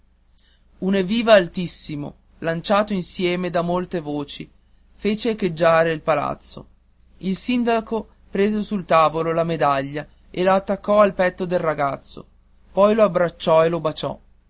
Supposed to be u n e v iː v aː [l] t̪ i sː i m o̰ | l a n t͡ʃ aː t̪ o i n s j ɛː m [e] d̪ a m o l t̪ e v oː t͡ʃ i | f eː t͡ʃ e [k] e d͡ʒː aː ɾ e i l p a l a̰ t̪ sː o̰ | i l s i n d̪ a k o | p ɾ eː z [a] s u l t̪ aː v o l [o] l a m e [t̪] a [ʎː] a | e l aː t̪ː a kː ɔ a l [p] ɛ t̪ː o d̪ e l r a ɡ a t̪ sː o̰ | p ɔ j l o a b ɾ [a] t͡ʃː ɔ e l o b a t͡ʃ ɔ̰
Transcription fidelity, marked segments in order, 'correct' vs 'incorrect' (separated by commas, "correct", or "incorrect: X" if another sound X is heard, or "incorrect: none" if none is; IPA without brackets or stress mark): correct, correct, correct, incorrect: e, correct, incorrect: d̪, correct, correct, correct